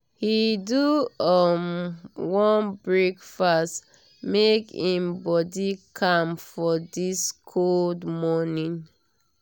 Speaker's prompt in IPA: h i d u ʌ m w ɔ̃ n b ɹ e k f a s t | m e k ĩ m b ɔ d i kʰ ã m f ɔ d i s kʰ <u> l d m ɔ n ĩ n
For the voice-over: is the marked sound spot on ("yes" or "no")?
no